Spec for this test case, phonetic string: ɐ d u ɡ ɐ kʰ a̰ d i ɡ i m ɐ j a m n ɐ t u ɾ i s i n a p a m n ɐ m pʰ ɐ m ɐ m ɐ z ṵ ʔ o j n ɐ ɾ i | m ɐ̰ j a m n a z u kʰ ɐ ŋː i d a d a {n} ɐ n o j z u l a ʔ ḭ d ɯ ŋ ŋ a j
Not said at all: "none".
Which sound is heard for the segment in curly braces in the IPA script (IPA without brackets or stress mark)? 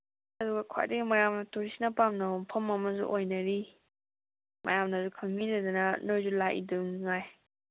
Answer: n